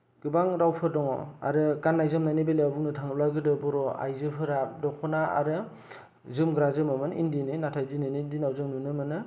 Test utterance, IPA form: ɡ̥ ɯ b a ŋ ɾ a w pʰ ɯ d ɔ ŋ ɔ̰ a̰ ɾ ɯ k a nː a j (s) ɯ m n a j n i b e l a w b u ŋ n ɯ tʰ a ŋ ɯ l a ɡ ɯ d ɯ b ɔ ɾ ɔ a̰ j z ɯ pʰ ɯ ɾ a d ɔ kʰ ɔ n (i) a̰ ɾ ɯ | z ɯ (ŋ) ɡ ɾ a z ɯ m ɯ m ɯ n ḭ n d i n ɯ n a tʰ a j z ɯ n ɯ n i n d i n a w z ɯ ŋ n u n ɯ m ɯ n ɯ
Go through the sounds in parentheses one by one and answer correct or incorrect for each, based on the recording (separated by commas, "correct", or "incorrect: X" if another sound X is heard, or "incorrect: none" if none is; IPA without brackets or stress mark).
incorrect: z, incorrect: a, incorrect: m